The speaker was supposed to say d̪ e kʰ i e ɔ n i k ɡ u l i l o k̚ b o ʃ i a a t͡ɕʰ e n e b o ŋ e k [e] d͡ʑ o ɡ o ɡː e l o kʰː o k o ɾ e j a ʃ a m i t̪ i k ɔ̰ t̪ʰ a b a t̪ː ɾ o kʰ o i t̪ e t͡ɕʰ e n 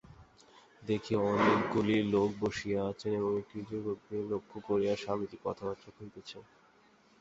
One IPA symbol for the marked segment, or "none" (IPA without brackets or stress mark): i